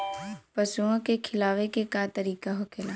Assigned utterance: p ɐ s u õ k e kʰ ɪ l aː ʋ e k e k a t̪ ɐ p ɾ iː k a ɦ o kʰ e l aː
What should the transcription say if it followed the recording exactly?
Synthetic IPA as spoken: p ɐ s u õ k e kʰ ɪ l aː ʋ e k e k a t̪ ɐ ɾ iː k a ɦ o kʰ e l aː